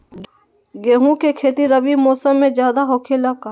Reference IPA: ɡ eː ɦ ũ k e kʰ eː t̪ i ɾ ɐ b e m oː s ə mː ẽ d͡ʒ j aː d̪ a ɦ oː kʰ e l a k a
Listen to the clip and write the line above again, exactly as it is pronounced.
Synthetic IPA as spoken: ɡ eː ɦ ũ k e kʰ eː t̪ i ɾ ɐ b i m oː s ə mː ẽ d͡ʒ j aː d̪ a ɦ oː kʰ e l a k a